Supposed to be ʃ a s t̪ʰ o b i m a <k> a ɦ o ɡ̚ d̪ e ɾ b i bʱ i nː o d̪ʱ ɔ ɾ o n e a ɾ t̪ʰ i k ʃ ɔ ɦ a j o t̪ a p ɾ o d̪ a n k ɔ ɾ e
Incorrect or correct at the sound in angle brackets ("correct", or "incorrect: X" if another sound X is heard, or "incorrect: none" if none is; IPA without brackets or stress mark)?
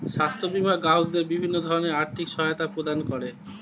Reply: incorrect: ɡ